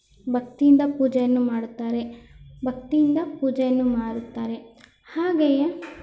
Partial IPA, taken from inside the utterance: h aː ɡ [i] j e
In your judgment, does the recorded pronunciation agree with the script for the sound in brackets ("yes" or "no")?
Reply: no